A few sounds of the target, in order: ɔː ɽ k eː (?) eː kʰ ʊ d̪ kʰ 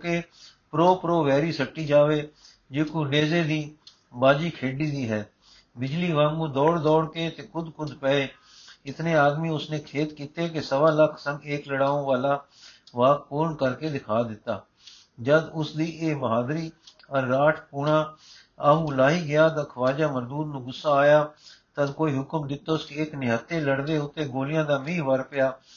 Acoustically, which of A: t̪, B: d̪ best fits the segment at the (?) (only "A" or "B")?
A